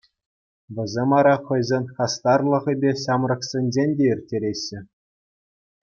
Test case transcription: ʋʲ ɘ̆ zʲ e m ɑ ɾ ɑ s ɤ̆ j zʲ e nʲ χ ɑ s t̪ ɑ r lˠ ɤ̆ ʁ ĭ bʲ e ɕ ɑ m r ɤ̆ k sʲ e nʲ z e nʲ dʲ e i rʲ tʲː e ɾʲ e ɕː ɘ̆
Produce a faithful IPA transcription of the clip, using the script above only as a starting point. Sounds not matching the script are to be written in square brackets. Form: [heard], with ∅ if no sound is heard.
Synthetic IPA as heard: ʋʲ ɘ̆ zʲ e m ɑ ɾ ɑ [χ] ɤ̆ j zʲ e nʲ χ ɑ s t̪ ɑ r lˠ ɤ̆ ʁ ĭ bʲ e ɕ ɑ m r ɤ̆ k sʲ e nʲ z e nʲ dʲ e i rʲ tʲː e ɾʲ e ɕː ɘ̆